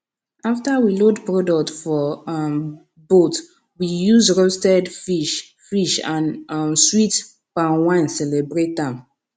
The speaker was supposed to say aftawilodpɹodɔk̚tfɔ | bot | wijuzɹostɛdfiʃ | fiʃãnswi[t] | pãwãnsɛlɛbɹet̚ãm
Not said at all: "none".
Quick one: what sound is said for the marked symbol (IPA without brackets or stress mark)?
t